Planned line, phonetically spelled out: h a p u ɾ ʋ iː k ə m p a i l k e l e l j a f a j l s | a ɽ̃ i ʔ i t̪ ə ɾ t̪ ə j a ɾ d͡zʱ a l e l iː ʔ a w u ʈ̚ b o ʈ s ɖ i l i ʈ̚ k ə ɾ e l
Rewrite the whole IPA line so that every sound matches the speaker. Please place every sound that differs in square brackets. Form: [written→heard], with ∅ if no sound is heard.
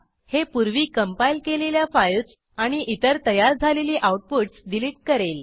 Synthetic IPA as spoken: h [a→e] p u ɾ ʋ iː k ə m p a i l k e l e l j a f a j l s | a ɽ̃ i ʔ i t̪ ə ɾ t̪ ə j a ɾ d͡zʱ a l e l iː ʔ a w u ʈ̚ [b→p] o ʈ s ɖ i l i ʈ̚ k ə ɾ e l